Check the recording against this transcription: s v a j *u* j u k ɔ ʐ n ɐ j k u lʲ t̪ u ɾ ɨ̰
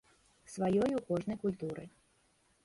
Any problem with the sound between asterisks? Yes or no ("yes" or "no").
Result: yes